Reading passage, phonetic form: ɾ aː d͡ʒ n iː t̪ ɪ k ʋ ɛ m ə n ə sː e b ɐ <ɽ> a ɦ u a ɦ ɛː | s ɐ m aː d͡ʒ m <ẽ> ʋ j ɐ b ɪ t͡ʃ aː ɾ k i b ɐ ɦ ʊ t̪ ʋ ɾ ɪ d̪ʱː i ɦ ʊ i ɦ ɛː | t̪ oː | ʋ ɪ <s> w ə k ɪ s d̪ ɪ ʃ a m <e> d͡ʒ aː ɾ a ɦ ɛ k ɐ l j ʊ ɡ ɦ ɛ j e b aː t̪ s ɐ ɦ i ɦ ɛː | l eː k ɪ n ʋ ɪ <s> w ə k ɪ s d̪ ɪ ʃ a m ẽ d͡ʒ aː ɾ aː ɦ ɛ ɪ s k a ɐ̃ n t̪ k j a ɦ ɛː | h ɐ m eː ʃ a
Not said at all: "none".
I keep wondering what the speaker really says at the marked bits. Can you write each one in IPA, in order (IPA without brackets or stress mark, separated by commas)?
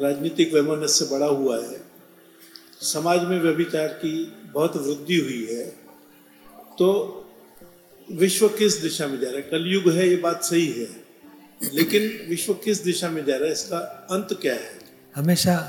ɽ, ẽ, ʃ, ẽ, ʃ